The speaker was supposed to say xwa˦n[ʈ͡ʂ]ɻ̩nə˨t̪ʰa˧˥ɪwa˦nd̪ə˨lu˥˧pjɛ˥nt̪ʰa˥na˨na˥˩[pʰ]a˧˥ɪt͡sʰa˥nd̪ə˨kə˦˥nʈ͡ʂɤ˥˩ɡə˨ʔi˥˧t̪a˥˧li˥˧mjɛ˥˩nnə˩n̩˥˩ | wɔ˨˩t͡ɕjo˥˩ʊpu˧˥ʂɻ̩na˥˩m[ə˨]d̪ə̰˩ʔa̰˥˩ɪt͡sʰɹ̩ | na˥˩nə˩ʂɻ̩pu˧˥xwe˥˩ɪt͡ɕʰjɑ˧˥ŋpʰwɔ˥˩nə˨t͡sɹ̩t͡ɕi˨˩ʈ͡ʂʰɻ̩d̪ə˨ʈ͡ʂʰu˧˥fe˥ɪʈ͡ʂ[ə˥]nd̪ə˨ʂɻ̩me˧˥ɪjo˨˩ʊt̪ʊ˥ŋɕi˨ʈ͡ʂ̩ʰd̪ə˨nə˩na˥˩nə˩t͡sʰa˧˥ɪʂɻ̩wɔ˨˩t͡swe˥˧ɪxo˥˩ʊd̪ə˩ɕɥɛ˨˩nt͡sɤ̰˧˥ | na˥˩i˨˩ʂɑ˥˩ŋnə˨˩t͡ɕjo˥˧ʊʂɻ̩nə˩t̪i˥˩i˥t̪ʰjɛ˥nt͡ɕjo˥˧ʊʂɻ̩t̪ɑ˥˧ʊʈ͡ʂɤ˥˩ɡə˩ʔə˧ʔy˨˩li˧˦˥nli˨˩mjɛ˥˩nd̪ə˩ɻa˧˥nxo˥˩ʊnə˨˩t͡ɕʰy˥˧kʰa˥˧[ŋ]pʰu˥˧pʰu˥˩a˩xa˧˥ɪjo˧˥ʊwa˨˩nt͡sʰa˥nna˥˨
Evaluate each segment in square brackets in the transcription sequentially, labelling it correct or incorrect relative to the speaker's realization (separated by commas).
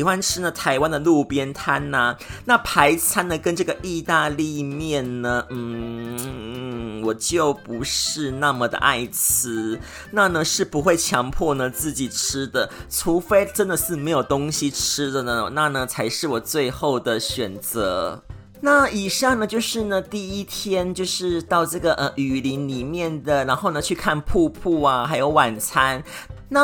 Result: incorrect, correct, correct, correct, incorrect